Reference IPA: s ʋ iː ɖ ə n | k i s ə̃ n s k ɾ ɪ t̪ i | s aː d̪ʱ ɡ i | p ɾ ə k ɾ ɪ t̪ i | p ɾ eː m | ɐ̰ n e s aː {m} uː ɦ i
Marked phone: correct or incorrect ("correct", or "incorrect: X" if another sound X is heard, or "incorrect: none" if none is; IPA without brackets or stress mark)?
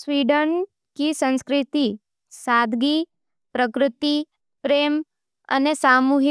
correct